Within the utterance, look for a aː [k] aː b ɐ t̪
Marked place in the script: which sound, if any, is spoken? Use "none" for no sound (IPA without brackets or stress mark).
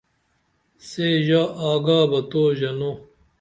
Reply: ɡ